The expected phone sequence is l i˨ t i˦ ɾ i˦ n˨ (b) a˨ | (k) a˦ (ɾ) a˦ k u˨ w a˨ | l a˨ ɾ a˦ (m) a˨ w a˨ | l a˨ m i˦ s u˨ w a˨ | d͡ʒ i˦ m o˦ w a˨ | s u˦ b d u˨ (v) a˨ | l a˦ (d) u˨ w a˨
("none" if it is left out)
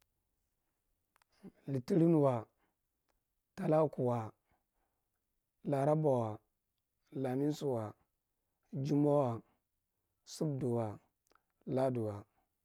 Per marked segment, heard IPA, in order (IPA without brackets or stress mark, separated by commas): w, t, l, b, w, d